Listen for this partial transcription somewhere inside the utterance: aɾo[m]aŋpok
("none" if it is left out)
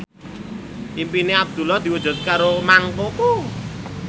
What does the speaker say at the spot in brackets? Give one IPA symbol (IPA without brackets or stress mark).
m